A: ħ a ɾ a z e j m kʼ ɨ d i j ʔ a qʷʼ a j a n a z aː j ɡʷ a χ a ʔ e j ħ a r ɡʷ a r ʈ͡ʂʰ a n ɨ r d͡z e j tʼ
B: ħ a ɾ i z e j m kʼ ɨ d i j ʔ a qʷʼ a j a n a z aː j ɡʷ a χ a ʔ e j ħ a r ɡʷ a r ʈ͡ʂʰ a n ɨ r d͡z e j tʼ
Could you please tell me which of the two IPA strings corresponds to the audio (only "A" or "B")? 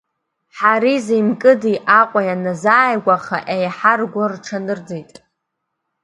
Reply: B